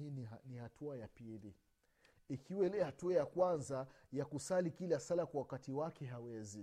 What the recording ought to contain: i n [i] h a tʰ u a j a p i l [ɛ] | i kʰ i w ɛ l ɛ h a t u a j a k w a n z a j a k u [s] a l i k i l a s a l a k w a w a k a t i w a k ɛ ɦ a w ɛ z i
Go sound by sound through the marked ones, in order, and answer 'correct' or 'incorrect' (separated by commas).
correct, incorrect, correct